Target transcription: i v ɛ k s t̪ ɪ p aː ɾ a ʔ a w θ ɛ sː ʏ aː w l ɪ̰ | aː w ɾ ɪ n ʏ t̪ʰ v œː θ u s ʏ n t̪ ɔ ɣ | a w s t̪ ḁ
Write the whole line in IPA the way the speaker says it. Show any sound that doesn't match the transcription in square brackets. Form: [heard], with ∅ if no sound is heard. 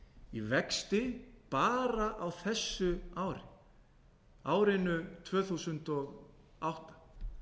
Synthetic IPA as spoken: i v ɛ k s t̪ ɪ p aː ɾ a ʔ a w θ ɛ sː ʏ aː w [ɾ] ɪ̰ | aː w ɾ ɪ n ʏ t̪ʰ v œː θ u s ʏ n t̪ ɔ ɣ | a w [h] t̪ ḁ